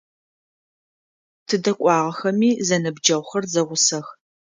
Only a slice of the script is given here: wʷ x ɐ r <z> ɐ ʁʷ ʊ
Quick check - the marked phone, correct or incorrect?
correct